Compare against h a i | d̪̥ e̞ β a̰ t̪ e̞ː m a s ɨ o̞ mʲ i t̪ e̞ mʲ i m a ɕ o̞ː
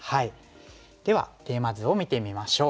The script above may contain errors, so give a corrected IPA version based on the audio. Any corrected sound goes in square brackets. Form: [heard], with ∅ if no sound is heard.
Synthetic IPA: h a i | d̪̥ e̞ β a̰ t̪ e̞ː m a [z] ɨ o̞ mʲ i t̪ e̞ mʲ i m a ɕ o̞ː